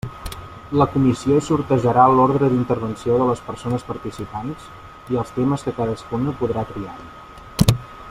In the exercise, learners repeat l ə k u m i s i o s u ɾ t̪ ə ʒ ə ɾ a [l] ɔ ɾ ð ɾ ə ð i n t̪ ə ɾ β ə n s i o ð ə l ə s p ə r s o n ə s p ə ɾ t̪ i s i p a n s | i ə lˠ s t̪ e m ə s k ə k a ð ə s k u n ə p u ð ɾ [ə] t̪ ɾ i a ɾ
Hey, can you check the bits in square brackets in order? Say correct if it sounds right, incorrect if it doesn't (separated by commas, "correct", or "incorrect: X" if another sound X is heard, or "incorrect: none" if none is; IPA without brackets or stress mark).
correct, incorrect: a